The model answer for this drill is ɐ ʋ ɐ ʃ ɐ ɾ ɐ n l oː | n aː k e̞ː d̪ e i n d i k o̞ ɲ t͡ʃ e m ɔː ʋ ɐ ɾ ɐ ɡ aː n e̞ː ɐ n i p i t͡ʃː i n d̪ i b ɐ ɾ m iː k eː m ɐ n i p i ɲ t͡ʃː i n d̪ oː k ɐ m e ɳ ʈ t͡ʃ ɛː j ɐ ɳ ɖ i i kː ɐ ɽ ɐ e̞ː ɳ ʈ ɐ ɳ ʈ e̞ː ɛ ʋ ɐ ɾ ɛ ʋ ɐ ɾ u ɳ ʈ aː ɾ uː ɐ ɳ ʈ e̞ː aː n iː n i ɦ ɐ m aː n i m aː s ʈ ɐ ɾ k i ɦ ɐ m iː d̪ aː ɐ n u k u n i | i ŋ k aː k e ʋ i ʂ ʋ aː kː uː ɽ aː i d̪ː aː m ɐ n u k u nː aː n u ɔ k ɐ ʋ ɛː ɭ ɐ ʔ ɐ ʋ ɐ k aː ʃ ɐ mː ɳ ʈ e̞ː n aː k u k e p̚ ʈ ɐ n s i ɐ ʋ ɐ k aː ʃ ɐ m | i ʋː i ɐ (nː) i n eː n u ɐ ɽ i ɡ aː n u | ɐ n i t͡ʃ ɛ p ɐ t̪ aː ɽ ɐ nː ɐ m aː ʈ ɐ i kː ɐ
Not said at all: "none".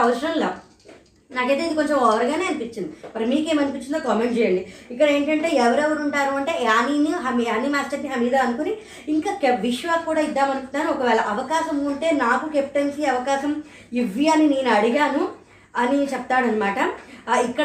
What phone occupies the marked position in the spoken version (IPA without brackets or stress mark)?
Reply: n